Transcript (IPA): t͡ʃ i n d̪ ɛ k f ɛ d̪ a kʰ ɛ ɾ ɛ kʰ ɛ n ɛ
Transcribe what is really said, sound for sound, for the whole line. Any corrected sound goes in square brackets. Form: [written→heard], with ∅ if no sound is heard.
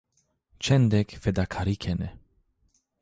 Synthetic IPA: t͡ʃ [i→ɛ] n d̪ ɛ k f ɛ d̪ a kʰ [ɛ→a] ɾ [ɛ→i] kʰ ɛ n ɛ